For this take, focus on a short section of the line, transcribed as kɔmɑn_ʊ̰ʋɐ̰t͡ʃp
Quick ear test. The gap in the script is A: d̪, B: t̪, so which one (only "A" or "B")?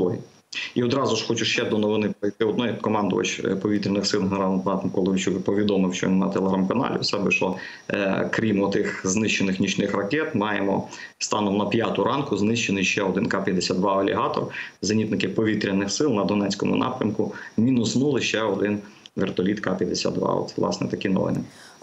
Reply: A